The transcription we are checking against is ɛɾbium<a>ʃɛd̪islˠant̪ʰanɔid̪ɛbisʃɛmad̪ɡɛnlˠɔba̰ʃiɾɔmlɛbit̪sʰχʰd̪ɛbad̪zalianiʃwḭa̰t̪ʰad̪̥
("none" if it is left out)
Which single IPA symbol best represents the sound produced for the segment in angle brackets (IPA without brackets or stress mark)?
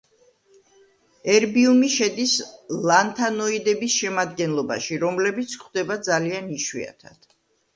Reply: i